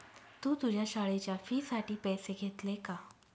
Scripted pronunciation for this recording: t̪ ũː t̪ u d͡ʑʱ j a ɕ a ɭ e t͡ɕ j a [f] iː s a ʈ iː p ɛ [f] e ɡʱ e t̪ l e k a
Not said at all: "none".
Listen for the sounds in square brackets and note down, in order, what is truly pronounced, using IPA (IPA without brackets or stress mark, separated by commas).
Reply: f, s